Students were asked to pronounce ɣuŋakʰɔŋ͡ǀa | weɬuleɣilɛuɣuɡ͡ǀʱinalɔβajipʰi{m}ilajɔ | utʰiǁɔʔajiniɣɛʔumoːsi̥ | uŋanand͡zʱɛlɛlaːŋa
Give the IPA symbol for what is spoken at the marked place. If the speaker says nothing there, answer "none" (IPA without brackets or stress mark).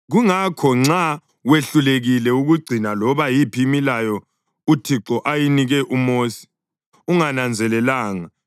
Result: m